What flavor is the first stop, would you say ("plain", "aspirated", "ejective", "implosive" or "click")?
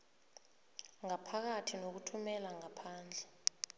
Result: aspirated